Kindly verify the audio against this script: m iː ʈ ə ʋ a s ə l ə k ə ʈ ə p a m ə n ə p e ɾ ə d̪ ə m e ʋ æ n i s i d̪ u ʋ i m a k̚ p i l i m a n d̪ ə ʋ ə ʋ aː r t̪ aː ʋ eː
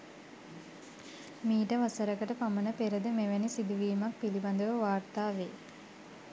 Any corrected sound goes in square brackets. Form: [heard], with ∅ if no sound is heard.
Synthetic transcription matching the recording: m iː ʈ ə ʋ a s ə [ɾ] ə k ə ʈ ə p a m ə n ə p e ɾ ə d̪ ə m e ʋ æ n i s i d̪ u ʋ [iː] m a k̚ p i l i [b] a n d̪ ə ʋ ə ʋ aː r t̪ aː ʋ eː